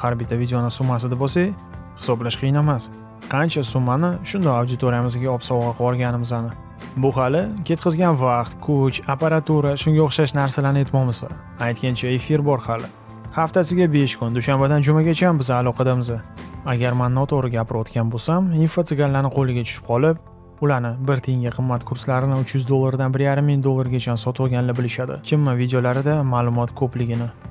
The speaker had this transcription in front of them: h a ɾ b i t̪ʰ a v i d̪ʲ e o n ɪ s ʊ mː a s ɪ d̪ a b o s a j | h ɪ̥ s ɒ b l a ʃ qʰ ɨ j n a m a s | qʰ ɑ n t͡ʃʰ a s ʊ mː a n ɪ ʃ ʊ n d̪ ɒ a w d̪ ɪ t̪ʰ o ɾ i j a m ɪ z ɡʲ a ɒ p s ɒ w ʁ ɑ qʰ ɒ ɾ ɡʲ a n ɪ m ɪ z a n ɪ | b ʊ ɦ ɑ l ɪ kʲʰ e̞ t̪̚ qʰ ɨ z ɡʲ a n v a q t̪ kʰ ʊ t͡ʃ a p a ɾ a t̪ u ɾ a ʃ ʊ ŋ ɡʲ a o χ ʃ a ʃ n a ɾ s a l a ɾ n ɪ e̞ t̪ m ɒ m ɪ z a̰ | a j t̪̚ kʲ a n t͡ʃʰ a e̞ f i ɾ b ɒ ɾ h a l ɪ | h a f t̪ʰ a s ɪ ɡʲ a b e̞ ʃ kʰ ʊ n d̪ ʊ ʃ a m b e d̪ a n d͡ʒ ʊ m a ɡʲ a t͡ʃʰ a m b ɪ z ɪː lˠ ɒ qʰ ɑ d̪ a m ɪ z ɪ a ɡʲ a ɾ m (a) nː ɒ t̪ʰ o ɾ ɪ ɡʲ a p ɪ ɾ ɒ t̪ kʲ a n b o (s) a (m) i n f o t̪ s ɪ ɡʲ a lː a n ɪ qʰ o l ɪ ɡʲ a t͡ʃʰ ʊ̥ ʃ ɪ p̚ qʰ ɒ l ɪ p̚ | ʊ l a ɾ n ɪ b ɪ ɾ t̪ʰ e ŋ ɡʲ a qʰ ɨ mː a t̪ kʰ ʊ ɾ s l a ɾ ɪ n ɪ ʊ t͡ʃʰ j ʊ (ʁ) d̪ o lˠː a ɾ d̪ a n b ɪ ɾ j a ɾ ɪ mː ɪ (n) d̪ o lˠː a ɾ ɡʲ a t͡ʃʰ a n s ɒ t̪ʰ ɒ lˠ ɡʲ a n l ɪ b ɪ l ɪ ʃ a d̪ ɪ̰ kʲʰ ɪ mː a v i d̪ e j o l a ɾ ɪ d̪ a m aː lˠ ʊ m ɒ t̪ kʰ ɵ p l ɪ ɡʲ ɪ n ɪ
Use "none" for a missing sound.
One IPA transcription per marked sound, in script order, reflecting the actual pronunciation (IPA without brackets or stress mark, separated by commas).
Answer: a, s, m, z, ŋ